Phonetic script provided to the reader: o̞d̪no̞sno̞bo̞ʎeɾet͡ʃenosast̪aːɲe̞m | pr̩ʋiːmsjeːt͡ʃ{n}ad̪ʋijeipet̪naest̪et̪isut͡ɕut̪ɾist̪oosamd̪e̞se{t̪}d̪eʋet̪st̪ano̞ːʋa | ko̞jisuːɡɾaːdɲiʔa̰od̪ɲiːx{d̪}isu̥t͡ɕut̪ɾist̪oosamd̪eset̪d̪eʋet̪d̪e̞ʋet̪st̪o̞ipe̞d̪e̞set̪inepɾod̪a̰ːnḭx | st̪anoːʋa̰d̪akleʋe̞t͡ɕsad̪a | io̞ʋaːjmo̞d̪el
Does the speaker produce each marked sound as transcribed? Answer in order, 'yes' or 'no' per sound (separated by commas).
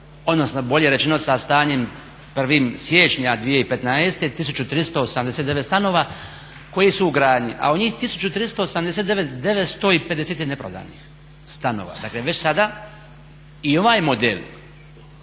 no, yes, no